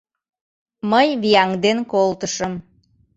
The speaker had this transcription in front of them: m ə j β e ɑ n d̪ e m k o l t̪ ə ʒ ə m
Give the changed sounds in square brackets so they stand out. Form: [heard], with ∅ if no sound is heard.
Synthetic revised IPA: m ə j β [i] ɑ [ŋ] d̪ e [n] k o l t̪ ə [ʃ] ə m